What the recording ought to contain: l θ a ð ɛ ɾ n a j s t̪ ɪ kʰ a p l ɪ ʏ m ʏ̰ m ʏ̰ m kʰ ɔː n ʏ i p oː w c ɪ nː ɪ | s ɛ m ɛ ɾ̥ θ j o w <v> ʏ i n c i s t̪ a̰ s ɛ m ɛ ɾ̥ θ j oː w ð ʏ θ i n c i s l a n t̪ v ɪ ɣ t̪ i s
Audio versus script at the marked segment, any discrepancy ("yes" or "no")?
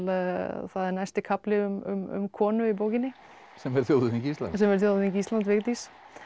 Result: yes